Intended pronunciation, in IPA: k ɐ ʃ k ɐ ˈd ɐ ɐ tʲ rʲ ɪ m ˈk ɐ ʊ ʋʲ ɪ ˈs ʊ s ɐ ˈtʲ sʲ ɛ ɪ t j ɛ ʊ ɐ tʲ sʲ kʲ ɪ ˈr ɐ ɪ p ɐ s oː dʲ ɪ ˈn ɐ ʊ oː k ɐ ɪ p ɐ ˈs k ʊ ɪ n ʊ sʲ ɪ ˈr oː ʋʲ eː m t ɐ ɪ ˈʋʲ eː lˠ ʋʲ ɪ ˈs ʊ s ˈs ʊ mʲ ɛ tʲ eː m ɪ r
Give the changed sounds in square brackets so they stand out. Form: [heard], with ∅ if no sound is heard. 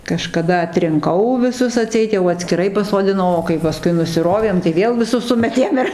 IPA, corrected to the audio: k ɐ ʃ k ɐ ˈd ɐ ɐ tʲ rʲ ɪ [ŋ] ˈk ɐ ʊ ʋʲ ɪ ˈs ʊ s ɐ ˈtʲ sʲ ɛ ɪ t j ɛ ʊ ɐ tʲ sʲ kʲ ɪ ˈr ɐ ɪ p ɐ s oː dʲ ɪ ˈn ɐ ʊ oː k ɐ ɪ p ɐ ˈs k ʊ ɪ n ʊ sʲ ɪ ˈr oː ʋʲ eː m t ɐ ɪ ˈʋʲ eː lˠ ʋʲ ɪ ˈs ʊ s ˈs ʊ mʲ ɛ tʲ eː m ɪ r